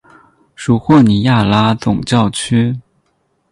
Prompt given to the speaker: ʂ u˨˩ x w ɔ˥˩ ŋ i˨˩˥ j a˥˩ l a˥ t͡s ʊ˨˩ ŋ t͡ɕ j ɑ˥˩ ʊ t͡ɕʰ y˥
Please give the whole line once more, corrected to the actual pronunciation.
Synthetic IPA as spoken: ʂ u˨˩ x w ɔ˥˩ n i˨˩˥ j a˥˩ l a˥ t͡s ʊ˨˩ ŋ t͡ɕ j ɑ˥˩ ʊ t͡ɕʰ y˥

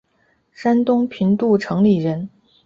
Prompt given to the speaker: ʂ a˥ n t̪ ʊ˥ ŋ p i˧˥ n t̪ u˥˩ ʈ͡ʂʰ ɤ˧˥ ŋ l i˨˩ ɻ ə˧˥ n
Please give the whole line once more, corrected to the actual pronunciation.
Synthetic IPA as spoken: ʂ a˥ n t̪ ʊ˥ ŋ pʰ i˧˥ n t̪ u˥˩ ʈ͡ʂʰ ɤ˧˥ ŋ l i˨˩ ɻ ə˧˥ n

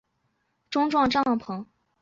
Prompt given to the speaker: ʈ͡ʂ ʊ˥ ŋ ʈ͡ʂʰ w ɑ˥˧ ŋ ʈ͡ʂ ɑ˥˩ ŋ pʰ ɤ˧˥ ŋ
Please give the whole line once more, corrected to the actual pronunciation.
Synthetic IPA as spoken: ʈ͡ʂ ʊ˥ ŋ ʈ͡ʂ w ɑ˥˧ ŋ ʈ͡ʂ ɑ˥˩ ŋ pʰ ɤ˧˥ ŋ

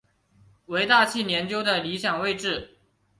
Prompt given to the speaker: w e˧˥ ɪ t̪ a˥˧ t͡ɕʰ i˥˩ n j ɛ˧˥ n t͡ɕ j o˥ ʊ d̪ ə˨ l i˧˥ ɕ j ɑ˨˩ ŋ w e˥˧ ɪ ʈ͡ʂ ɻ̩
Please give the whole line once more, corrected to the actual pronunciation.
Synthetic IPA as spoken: w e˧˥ ɪ t̪ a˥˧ t͡ɕʰ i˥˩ n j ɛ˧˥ n t͡ɕ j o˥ ʊ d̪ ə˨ l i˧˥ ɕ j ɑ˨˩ ŋ w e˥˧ ɪ ʈ͡ʂ ɻ̩

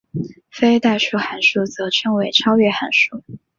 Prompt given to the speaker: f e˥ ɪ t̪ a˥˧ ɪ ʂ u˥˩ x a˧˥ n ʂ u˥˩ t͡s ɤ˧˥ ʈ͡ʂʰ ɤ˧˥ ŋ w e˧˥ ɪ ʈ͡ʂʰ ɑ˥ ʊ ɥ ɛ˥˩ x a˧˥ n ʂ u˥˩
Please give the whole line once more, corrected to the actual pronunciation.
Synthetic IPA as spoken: f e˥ ɪ t̪ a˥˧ ɪ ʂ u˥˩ x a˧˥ n ʂ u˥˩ t͡s ɤ˧˥ ʈ͡ʂʰ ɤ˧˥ ŋ w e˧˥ ɪ ʈ͡ʂʰ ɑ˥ ʊ ɥ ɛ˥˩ x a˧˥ n ʂ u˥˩

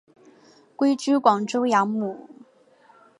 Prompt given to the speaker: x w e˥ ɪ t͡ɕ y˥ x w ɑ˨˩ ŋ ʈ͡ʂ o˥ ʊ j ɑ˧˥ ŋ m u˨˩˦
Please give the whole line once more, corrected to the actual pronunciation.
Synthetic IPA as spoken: k w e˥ ɪ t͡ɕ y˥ k w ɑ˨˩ ŋ ʈ͡ʂ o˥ ʊ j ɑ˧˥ ŋ m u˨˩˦

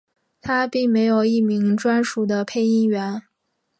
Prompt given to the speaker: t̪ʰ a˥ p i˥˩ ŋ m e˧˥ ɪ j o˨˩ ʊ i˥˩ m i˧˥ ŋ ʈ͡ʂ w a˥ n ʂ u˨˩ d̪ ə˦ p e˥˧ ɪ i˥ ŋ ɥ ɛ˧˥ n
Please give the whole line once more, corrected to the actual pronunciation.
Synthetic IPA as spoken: t̪ʰ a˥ p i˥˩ ŋ m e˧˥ ɪ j o˨˩ ʊ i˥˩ m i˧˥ ŋ ʈ͡ʂ w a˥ n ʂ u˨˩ d̪ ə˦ pʰ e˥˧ ɪ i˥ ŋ ɥ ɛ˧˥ n

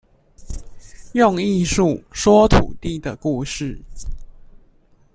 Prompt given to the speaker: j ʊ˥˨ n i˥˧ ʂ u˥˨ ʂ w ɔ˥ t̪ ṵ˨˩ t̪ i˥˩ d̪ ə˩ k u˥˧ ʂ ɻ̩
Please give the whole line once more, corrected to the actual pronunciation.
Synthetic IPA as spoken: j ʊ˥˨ ŋ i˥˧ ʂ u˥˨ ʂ w ɔ˥ t̪ʰ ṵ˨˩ t̪ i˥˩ d̪ ə˩ k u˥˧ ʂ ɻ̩

